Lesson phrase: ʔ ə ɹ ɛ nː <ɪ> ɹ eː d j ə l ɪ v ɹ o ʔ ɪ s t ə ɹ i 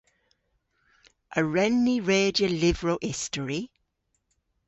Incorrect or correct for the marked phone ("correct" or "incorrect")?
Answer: incorrect